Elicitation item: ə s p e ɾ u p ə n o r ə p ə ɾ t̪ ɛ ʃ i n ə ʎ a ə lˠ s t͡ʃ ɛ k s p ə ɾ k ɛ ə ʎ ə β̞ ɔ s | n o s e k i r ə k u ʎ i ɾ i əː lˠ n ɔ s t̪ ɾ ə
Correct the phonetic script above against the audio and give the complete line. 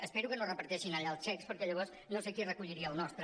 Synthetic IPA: ə s p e ɾ u k ə n o r ə p ə ɾ t̪ ɛ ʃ i n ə ʎ a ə lˠ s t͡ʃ ɛ k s p ə ɾ k ɛ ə ʎ ə β̞ ɔ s | n o s e k i r ə k u ʎ i ɾ i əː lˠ n ɔ s t̪ ɾ ə

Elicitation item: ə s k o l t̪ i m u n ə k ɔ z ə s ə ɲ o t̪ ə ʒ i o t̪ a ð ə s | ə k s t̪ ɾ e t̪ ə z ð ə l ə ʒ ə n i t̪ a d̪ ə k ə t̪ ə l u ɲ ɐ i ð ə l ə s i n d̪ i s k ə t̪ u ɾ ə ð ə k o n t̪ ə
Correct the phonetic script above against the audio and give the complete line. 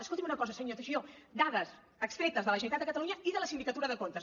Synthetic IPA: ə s k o l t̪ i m u n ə k ɔ z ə s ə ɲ o t̪ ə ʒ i o d̪ a ð ə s | ə k s t̪ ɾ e t̪ ə z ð ə l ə ʒ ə n i t̪ a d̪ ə k ə t̪ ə l u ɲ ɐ i ð ə l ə s i n d̪ i k ə t̪ u ɾ ə ð ə k o n t̪ ə

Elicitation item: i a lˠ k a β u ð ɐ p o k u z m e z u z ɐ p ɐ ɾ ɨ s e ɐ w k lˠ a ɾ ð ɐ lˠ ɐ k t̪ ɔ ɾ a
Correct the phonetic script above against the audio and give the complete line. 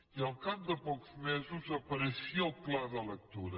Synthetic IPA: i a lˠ k a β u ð ɐ p o k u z m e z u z ɐ p ɐ ɾ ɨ s i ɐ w k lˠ a ɾ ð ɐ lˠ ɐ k t̪ u ɾ ɐ

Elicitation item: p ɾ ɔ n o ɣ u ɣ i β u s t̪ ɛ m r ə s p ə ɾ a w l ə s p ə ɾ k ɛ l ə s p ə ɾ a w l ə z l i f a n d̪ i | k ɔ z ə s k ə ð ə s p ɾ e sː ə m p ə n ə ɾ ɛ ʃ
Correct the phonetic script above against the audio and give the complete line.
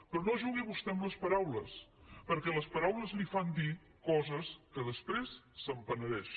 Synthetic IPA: p ɾ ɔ n o ʒ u ɣ i β u s t̪ ɛ m l ə s p ə ɾ a w l ə s p ə ɾ k ɛ l ə s p ə ɾ a w l ə z l i f a n d̪ i | k ɔ z ə s k ə ð ə s p ɾ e sː ə m p ə n ə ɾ ɛ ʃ

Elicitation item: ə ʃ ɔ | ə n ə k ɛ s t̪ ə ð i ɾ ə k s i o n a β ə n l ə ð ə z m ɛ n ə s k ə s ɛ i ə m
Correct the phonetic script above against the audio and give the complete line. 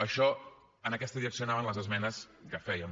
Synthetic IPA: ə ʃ ɔ | ə n ə k ɛ s t̪ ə ð i ɾ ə k s i o n a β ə n l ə z ə z m ɛ n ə s k ə f ɛ j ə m

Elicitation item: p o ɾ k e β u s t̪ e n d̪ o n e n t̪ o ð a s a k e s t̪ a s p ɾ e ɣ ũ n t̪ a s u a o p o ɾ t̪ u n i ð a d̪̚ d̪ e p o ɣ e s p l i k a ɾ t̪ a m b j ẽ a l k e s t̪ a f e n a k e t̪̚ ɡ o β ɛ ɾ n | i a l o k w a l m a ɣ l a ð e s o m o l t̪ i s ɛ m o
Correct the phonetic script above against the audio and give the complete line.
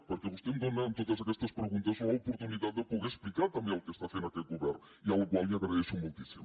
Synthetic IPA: p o ɾ k e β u s t̪ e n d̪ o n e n t̪ o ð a s a k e s t̪ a s p ɾ e ɣ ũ n t̪ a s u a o p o ɾ t̪ u n i ð a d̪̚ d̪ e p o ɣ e s p l i k a ɾ t̪ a m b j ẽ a l k e s t̪ a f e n a k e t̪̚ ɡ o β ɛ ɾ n | i a l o k w a l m a ɣ ɾ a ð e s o m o l t̪ i s i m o

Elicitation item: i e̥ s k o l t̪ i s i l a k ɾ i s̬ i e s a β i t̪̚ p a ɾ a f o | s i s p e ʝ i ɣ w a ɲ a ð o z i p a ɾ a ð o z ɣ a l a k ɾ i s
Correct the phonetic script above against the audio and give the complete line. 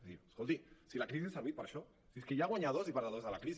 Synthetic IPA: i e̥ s k o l t̪ i s i l a k ɾ i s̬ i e s a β i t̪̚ p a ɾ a ʃ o | s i s k e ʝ a ɣ w a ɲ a ð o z i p a ɾ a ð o z ð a l a k ɾ i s

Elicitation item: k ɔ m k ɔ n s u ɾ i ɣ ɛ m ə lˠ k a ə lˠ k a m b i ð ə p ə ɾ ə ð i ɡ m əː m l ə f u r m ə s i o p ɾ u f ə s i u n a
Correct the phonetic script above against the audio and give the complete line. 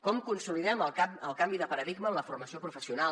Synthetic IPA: k ɔ m k u n s u l i ð ɛ m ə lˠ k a ə lˠ k a m b i ð ə p ə ɾ ə ð i ɡ m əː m l ə f u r m ə s i o p ɾ u f ə s i u n a

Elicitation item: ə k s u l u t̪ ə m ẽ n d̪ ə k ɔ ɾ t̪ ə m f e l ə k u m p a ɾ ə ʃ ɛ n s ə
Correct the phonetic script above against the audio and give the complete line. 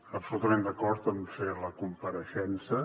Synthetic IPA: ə p s u l u t̪ ə m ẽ n d̪ ə k ɔ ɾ t̪ ə m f e l ə k u m p ə ɾ ə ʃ ɛ n s ə

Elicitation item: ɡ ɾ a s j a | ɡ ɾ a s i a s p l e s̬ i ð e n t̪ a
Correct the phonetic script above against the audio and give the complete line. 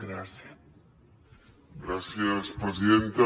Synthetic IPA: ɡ ɾ a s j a | ɡ ɾ a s j a s p ɾ e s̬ i ð e n t̪ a

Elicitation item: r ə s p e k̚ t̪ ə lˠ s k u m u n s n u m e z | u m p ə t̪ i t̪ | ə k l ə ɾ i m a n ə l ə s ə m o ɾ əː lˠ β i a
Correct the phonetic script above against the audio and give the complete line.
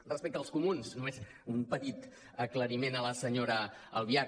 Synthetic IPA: r ə s p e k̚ t̪ ə lˠ s k u m u n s n u m e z | u m p ə t̪ i t̪ | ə k l ə ɾ i m e n ə l ə s ə ɲ o ɾ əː lˠ β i a

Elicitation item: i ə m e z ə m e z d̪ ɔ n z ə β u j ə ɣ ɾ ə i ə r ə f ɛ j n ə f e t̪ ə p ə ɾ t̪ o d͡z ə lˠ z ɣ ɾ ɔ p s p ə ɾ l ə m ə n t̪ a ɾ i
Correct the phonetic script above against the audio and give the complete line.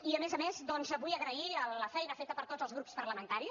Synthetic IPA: i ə m e z ə m e z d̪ ɔ n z ə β u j ə ɣ ɾ ə i ə l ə f ɛ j n ə f e t̪ ə p ə ɾ t̪ o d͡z ə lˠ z ɣ ɾ u p s p ə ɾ l ə m ə n t̪ a ɾ i

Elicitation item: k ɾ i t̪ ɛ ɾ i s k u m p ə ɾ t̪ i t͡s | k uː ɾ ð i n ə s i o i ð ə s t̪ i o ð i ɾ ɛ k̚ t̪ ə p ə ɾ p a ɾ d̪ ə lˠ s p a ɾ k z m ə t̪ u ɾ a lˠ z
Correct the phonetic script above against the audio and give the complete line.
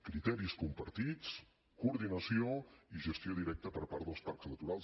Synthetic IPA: k ɾ i t̪ ɛ ɾ i s k u m p ə ɾ t̪ i t͡s | k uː ɾ ð i n ə s i o i ʒ ə s t̪ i o ð i ɾ ɛ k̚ t̪ ə p ə ɾ p a ɾ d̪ ə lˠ s p a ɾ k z n ə t̪ u ɾ a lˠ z

